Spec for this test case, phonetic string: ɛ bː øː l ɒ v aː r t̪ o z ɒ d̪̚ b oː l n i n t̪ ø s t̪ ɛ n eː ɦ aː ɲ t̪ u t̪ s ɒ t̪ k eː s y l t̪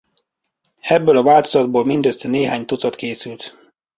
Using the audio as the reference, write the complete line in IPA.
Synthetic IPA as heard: ɛ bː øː l ɒ v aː l t̪ o z ɒ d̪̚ b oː l m i n d̪ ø s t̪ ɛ n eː ɦ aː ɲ t̪ u t̪ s ɒ t̪ k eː s y l t̪